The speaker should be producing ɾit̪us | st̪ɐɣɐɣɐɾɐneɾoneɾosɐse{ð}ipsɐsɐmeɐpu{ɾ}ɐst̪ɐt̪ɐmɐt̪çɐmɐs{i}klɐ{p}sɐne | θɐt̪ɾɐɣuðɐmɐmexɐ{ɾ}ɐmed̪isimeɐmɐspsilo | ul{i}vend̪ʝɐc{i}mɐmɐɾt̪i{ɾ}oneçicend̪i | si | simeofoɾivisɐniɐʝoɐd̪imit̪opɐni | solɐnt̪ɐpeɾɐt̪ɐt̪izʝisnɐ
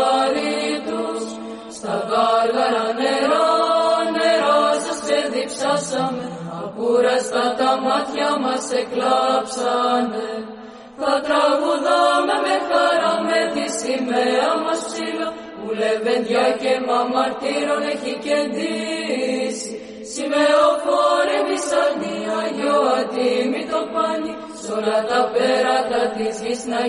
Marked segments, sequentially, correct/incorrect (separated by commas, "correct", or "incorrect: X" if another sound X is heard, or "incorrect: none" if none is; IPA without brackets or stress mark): correct, correct, incorrect: e, correct, correct, incorrect: e, incorrect: e, correct